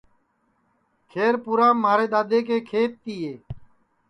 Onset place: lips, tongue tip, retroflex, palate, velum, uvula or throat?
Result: velum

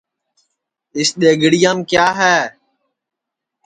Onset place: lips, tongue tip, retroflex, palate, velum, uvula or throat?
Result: tongue tip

